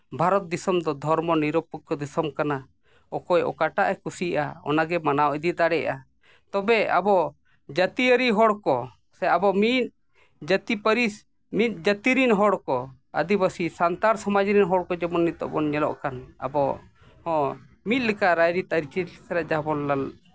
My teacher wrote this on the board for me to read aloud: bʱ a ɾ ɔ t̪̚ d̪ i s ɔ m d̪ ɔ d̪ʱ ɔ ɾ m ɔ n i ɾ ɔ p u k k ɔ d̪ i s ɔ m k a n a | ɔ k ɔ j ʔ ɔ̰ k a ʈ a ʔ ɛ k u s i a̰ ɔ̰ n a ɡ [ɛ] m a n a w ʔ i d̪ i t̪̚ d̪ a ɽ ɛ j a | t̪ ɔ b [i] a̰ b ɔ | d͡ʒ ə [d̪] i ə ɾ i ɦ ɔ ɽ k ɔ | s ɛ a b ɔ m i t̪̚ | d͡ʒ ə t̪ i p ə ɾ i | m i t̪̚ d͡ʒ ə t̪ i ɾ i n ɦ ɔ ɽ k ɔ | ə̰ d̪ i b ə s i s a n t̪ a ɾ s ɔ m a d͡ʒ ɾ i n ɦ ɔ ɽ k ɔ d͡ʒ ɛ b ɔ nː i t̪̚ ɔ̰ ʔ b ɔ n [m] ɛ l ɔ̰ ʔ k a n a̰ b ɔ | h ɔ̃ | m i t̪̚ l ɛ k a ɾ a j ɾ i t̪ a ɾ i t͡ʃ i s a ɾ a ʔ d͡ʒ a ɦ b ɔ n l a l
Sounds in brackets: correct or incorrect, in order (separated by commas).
correct, incorrect, incorrect, incorrect